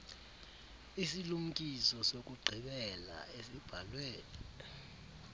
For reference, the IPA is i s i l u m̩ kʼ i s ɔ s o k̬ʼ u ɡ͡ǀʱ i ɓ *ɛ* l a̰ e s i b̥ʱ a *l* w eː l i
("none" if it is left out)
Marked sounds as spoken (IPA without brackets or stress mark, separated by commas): ɛ, l